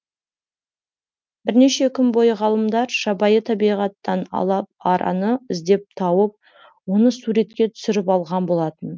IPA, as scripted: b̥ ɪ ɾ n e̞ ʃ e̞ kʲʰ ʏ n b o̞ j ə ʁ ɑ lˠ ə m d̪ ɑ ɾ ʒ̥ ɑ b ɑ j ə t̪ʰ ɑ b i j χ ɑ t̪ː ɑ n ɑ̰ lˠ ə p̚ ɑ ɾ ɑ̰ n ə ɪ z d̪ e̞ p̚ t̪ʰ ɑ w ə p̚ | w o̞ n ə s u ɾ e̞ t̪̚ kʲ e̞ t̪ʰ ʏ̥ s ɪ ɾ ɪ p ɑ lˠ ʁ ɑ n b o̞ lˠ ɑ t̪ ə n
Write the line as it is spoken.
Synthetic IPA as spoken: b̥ ɪ ɾ n e̞ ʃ e̞ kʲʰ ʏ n b o̞ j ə ʁ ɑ lˠ ə m d̪ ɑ ɾ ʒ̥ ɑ b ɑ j ə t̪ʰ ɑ b i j ʁ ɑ t̪ː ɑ n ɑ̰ lˠ ɑ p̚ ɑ ɾ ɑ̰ n ə ɪ z d̪ e̞ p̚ t̪ʰ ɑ w ə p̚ | w o̞ n ə s u ɾ e̞ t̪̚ kʲ e̞ t̪ʰ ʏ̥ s ɪ ɾ ɪ p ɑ lˠ ʁ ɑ n b o̞ lˠ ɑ t̪ ə n